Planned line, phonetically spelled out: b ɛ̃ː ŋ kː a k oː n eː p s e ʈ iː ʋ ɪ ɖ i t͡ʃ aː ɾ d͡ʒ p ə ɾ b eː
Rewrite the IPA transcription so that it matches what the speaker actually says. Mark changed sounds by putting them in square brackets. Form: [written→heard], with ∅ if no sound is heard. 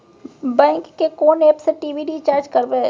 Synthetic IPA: b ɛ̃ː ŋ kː [a→e] k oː n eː p s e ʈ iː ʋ [ɪ→i] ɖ i t͡ʃ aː ɾ d͡ʒ [p→k] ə ɾ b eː